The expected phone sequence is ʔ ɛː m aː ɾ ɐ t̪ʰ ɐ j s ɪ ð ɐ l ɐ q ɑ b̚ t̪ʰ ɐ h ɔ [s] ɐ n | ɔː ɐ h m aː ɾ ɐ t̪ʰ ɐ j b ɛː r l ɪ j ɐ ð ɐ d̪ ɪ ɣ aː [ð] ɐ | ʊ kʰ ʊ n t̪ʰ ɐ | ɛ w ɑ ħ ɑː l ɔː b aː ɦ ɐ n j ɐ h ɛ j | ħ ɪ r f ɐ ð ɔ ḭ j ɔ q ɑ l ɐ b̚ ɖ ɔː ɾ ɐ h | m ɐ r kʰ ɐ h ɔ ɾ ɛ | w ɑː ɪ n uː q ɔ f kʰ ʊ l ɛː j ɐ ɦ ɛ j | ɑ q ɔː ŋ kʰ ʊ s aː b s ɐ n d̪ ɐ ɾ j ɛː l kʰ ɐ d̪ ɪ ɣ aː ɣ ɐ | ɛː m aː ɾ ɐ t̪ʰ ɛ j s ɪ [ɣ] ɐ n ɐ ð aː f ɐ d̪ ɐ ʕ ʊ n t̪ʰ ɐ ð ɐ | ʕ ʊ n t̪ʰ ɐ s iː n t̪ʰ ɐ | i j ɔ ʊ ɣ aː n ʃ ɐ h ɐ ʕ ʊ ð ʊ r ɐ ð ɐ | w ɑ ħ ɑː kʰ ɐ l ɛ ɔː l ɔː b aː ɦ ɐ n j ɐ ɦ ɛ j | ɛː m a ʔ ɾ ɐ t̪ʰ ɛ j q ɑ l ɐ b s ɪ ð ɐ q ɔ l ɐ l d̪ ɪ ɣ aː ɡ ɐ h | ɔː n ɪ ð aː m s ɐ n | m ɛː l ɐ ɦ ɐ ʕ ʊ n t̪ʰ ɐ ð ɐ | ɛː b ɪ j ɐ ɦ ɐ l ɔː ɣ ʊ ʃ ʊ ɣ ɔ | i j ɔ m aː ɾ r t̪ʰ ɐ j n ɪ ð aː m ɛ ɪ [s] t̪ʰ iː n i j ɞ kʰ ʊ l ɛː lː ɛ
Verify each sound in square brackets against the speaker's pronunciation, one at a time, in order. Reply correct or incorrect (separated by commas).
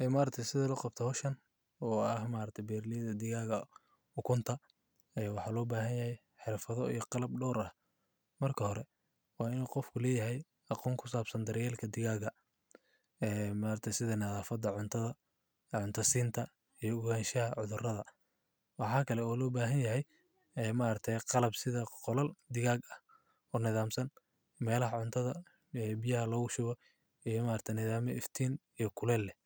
incorrect, incorrect, incorrect, incorrect